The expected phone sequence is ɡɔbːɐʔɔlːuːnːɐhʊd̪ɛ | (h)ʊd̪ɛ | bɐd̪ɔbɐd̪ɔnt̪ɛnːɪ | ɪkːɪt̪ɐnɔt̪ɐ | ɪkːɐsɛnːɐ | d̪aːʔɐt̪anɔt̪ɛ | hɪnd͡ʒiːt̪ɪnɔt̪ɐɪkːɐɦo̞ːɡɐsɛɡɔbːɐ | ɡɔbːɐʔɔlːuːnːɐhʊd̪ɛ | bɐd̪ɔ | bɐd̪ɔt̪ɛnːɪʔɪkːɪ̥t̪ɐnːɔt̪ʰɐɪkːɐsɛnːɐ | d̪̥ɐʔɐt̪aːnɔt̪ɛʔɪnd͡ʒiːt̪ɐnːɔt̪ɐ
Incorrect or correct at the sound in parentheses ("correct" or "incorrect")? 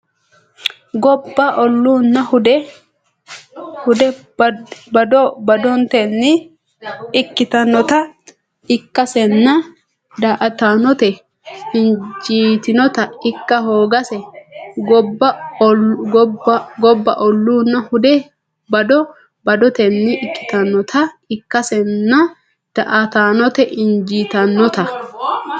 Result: correct